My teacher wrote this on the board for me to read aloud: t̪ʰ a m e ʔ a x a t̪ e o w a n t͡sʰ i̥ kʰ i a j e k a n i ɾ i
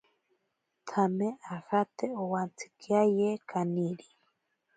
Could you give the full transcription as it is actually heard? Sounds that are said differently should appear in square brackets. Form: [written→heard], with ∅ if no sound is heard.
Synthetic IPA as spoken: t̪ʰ a m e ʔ a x a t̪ e o w a n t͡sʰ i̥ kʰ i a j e k a n i ɾ i